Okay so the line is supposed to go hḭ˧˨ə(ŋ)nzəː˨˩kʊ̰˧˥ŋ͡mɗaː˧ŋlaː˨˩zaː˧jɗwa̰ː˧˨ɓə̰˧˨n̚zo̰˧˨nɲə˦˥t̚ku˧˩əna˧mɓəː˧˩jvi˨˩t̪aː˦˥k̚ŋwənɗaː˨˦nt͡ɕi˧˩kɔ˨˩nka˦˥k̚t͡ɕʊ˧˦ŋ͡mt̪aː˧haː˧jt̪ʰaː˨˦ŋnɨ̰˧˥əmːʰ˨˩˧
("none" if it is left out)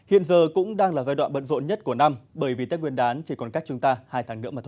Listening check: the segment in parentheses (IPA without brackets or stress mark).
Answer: none